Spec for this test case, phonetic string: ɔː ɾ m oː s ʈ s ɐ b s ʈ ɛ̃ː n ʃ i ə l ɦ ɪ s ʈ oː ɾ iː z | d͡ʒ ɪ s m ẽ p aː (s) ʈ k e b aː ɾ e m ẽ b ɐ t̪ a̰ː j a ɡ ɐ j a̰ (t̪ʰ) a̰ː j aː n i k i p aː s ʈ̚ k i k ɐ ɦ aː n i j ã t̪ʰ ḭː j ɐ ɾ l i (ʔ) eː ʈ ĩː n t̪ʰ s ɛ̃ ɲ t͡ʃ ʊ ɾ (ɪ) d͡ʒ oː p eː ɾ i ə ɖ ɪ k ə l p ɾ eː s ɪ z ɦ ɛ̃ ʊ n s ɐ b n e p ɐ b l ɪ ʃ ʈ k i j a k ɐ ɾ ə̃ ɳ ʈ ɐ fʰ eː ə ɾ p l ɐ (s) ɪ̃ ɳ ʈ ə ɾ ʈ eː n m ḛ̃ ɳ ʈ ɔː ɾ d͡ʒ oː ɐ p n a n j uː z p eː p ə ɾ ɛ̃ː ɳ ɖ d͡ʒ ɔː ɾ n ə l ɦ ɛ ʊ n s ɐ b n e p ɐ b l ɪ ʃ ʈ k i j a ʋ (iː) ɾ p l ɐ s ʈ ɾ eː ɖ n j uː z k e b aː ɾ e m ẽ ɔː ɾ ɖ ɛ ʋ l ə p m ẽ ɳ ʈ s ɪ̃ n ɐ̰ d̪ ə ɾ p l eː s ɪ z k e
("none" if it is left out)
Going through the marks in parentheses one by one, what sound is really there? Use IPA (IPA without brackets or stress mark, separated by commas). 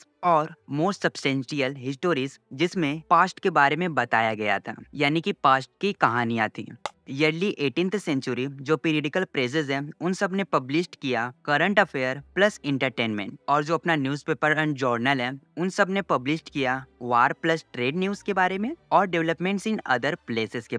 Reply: s, t̪ʰ, ʔ, i, s, aː